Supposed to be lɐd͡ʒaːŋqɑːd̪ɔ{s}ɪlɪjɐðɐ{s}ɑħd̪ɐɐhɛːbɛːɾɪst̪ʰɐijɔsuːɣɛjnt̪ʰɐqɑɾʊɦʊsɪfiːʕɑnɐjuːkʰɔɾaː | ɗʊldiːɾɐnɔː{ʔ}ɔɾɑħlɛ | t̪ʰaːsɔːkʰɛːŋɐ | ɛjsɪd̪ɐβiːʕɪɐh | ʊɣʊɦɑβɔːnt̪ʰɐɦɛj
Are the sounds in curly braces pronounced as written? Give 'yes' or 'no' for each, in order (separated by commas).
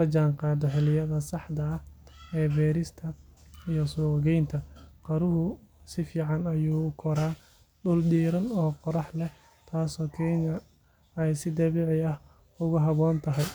no, yes, no